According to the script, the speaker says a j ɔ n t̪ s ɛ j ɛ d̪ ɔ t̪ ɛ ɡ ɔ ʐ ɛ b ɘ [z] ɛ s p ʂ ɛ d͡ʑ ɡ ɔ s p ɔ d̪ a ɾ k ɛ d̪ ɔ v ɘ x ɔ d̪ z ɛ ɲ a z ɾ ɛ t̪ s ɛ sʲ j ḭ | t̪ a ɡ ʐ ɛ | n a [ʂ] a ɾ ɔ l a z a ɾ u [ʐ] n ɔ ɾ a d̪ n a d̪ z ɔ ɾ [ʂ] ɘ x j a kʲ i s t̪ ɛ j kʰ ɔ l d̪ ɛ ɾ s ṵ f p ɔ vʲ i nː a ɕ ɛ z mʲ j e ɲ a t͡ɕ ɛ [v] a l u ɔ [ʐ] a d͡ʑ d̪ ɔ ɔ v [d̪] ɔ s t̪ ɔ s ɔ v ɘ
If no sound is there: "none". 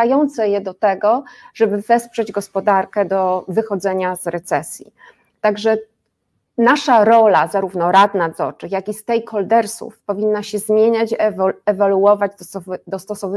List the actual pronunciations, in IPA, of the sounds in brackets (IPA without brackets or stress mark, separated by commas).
v, ʂ, v, t͡ʂ, v, v, d̪